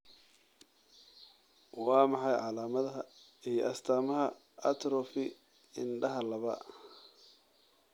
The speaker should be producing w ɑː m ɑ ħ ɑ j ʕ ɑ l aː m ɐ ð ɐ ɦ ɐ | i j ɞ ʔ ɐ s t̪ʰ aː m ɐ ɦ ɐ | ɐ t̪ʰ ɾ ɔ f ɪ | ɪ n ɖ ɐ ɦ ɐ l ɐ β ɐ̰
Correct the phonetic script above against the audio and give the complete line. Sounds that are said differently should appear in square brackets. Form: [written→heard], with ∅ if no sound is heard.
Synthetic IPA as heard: w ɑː m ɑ ħ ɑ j ʕ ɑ l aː m ɐ ð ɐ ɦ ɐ | i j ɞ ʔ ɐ s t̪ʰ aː m ɐ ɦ ɐ | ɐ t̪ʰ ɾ ɔ f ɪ | ɪ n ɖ ɐ ɦ ɐ l ɐ β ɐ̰